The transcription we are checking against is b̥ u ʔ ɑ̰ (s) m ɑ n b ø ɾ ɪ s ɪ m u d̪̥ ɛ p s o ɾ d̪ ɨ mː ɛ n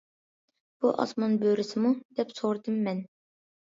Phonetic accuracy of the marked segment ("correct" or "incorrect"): correct